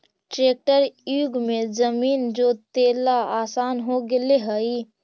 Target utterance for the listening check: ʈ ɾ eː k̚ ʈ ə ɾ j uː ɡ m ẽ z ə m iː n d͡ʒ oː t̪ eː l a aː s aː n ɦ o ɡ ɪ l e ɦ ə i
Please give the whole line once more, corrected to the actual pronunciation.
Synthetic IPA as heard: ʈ ɾ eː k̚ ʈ ə ɾ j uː ɡ m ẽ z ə m iː n d͡ʒ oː t̪ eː l a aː s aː n ɦ o ɡ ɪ l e ɦ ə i